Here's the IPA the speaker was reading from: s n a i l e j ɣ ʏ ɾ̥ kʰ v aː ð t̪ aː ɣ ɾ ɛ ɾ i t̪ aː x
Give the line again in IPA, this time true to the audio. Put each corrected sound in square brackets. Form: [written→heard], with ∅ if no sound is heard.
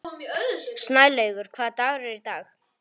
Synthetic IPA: s n a [i→j] l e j ɣ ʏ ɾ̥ kʰ v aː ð t̪ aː ɣ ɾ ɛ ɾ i t̪ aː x